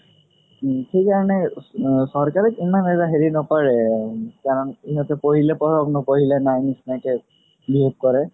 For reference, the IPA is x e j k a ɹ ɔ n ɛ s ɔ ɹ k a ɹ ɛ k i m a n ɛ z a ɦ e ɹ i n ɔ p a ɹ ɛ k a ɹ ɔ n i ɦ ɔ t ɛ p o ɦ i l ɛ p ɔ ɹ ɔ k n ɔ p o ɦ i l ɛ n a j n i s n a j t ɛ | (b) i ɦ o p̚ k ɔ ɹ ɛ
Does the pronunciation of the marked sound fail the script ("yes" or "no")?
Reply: no